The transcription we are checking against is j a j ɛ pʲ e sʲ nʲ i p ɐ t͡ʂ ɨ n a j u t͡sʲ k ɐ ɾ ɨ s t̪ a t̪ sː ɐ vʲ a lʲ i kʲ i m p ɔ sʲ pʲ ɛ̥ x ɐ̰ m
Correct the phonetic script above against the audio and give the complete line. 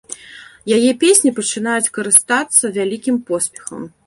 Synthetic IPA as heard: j a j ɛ pʲ e sʲ nʲ i p ɐ t͡ʂ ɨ n a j u t͡sʲ k ɐ ɾ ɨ s t̪ a t̪ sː ɐ vʲ a lʲ i kʲ i m p ɔ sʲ pʲ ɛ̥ x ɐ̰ m